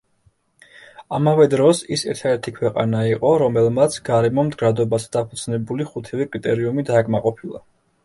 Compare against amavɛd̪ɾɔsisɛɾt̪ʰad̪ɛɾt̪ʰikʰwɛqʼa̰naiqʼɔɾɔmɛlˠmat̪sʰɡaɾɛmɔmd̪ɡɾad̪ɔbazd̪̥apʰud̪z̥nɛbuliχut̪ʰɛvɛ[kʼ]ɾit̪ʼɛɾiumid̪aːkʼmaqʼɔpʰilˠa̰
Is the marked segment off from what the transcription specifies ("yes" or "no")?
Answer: no